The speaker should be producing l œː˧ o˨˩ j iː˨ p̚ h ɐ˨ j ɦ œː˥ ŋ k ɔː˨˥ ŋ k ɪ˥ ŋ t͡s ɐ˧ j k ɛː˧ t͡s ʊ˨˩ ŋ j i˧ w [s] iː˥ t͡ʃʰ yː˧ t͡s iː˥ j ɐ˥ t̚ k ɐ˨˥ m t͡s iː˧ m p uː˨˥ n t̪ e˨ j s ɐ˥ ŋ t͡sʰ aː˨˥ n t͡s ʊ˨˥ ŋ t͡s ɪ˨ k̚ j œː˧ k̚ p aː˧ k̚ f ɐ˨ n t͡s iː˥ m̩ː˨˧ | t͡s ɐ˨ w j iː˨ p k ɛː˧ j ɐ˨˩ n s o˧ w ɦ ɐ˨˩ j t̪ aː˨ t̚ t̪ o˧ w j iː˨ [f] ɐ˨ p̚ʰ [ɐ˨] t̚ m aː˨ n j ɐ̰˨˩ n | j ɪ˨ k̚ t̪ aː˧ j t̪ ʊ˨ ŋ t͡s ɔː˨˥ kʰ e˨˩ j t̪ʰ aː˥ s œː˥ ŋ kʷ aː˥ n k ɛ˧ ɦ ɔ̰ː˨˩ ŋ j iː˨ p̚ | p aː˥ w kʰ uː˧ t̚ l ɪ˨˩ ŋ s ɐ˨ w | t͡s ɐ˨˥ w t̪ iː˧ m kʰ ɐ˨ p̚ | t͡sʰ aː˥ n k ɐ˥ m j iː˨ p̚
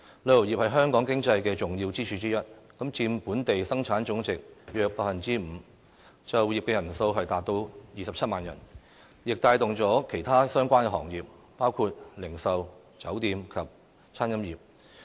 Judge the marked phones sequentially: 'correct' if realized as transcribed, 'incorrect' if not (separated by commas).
incorrect, incorrect, incorrect